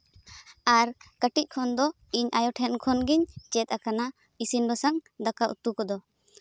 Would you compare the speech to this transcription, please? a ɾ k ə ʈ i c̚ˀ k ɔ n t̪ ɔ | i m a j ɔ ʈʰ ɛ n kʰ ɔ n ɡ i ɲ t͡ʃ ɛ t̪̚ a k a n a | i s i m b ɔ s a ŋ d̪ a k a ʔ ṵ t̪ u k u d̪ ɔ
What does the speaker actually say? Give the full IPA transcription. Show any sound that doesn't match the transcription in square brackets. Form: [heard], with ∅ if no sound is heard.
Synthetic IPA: a ɾ k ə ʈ i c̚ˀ [kʰ] ɔ n [d̪] ɔ | i [ɲ] a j ɔ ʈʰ ɛ n kʰ ɔ n ɡ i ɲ t͡ʃ ɛ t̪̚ a k a n a | i s i [n] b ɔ s a ŋ d̪ a k a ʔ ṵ t̪ u k [ɔ] d̪ ɔ